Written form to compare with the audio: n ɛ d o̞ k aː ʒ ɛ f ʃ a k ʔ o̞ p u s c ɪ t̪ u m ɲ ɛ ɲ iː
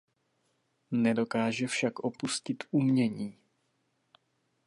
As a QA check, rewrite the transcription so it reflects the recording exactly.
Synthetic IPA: n ɛ d o̞ k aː ʒ ɛ f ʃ a k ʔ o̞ p u s c ɪ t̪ u m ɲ ɛ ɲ iː